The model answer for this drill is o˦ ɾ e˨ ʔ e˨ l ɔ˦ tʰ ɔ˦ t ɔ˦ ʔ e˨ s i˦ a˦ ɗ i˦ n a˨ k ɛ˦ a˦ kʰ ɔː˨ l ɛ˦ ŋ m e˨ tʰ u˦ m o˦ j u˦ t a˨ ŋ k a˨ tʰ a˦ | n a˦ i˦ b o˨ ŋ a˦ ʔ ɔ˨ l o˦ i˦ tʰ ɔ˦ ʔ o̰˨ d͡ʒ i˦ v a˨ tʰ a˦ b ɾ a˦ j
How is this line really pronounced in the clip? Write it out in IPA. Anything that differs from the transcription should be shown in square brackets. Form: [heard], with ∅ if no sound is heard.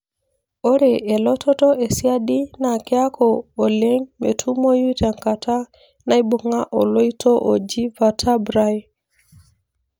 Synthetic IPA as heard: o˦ ɾ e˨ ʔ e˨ l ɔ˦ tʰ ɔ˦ t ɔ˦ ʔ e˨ s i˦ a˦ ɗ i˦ n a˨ k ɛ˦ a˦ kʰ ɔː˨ l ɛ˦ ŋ m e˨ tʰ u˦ m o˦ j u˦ t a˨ ŋ k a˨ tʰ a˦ | n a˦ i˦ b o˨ ŋ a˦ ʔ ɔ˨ l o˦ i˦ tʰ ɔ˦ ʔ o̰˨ d͡ʒ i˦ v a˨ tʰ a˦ b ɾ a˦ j

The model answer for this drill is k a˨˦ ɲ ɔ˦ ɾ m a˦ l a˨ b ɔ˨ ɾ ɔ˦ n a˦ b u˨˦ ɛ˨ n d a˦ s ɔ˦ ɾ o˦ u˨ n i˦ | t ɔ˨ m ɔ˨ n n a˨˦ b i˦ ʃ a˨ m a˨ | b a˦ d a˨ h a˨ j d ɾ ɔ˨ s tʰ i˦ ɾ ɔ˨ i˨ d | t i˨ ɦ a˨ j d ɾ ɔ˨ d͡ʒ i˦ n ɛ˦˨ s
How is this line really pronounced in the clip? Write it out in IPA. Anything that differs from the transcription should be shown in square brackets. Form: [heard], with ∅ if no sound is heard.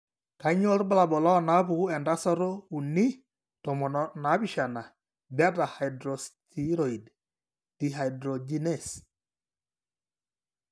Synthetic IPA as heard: k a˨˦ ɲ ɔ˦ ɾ [b] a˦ l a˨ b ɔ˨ [l] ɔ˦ n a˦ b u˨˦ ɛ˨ n d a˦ s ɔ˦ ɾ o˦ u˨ n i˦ | t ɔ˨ m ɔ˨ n n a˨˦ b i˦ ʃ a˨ [n] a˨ | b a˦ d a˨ h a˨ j d ɾ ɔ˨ s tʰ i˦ ɾ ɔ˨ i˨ d | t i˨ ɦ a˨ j d ɾ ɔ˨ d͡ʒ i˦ n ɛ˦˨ s

